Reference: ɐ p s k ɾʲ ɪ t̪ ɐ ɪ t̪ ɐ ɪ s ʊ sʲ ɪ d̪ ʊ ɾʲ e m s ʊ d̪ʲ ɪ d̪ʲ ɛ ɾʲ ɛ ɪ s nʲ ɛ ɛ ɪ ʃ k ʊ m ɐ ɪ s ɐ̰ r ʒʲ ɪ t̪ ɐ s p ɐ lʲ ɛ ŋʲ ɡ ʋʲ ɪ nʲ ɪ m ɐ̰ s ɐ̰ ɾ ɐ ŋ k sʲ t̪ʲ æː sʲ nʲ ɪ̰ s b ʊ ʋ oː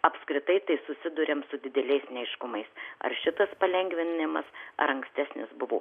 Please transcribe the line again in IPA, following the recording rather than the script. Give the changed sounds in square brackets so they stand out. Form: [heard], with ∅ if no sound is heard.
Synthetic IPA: ɐ p s k ɾʲ ɪ t̪ ɐ ɪ t̪ ɐ ɪ s ʊ sʲ ɪ d̪ ʊ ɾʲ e m s ʊ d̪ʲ ɪ d̪ʲ ɛ [lʲ] ɛ ɪ s nʲ ɛ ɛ ɪ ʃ k ʊ m ɐ ɪ s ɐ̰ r [ʃʲ] ɪ t̪ ɐ s p ɐ lʲ ɛ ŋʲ ɡ ʋʲ ɪ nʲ ɪ m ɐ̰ s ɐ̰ ɾ ɐ ŋ k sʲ t̪ʲ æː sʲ nʲ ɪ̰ s b ʊ ʋ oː